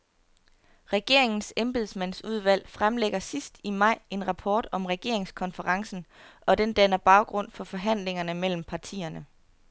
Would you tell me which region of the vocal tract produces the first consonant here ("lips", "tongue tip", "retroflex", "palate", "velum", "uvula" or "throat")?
uvula